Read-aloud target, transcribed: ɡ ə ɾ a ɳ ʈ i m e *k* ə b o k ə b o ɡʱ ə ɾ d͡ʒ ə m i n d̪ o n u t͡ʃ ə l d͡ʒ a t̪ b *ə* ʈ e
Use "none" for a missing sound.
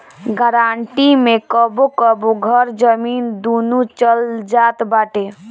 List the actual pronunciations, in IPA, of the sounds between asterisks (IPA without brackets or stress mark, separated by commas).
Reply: k, a